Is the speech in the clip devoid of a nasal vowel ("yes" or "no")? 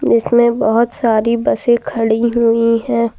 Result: no